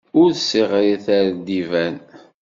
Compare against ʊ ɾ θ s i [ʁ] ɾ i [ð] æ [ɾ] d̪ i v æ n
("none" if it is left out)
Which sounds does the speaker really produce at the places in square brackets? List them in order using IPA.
ʁ, θ, ɾ

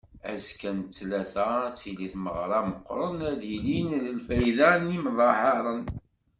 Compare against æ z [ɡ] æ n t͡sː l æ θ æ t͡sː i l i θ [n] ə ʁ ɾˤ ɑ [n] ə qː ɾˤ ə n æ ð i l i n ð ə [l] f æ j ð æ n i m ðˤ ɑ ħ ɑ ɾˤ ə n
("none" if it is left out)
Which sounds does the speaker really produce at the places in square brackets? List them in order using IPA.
k, m, m, l

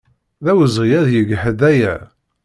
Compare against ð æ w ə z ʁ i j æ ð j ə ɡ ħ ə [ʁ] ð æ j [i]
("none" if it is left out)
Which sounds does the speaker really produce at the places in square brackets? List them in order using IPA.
none, æ

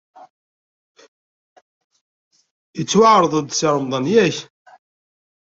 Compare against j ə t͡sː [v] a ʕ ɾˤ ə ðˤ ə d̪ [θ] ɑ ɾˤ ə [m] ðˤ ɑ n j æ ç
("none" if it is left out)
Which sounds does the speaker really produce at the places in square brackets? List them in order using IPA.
w, s, m

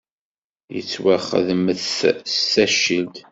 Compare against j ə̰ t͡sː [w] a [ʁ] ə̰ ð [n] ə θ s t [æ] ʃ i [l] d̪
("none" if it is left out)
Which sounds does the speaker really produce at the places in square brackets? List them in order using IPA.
w, χ, m, æ, l

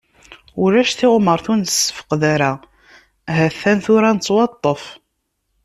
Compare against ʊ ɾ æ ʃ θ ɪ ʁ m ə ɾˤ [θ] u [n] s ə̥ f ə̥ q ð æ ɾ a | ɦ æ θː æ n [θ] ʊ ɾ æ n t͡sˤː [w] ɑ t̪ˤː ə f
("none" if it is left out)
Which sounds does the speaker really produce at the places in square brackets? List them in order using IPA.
θ, n, θ, w

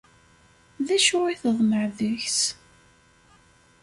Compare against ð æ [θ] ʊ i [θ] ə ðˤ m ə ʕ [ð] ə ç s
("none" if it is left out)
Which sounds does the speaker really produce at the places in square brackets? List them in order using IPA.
ʃ, θ, ð

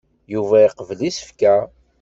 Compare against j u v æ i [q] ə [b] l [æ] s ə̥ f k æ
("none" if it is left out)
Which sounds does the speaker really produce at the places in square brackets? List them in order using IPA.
q, v, i

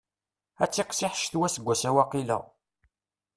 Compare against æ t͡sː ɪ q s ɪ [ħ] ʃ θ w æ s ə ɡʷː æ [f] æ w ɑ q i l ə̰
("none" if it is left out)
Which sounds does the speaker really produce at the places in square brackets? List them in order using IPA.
ħ, s

